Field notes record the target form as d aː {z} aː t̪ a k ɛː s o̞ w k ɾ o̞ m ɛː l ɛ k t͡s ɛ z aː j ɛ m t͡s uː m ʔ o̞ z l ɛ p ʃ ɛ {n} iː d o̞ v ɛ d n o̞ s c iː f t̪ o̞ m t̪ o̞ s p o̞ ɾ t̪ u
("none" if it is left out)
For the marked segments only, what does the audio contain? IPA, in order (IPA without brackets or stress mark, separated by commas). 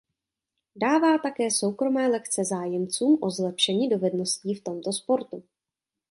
v, ɲ